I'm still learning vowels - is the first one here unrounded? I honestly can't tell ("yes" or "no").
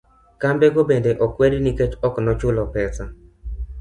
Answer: yes